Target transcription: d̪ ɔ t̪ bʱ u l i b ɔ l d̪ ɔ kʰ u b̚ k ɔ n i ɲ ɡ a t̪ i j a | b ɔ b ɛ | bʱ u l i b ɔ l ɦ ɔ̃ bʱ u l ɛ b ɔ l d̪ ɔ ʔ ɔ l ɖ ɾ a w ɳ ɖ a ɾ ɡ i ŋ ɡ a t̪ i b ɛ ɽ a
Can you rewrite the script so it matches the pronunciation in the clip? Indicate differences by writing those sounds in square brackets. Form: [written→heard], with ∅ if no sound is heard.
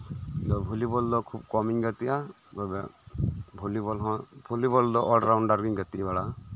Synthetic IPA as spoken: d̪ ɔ [t̪→∅] bʱ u l i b ɔ l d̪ ɔ kʰ u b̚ k ɔ [n→m] i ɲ ɡ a t̪ i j a | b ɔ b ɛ | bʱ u l i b ɔ l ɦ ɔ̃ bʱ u l [ɛ→i] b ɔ l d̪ ɔ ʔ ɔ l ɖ ɾ a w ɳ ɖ a ɾ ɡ i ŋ ɡ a t̪ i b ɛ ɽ a